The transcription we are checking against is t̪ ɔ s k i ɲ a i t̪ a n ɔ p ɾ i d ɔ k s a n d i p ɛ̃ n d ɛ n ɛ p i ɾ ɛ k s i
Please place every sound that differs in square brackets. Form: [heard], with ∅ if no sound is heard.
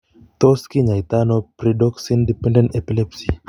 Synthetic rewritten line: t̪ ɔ s k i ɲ a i t̪ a n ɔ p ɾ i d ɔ k s [i] n d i p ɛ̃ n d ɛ n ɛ p i [l] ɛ [p] s i